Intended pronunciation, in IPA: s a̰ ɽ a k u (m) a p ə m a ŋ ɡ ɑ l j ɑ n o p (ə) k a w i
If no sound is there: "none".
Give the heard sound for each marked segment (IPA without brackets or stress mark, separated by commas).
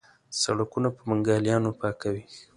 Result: n, ɑ